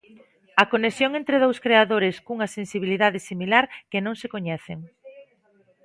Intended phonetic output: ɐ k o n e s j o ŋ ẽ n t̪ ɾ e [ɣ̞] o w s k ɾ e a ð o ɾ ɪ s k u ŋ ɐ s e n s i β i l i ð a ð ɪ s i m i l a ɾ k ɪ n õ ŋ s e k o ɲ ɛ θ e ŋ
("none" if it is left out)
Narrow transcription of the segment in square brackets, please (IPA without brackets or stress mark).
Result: ð̞